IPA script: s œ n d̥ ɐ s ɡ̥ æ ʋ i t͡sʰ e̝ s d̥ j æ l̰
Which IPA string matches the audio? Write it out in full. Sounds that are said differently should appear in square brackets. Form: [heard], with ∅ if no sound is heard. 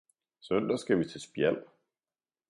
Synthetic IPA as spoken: s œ n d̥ ɐ s ɡ̥ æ ʋ i t͡sʰ e̝ s [b̥] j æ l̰